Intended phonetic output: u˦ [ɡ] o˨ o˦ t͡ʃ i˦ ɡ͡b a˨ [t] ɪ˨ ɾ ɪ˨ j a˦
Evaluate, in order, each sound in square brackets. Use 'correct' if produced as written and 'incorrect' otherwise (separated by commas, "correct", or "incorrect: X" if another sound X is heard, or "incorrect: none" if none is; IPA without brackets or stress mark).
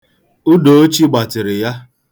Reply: incorrect: d, correct